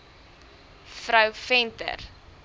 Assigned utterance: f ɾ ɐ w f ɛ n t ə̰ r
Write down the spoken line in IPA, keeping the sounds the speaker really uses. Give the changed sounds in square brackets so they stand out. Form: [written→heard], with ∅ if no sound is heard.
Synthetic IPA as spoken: f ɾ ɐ w f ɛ n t ə̰ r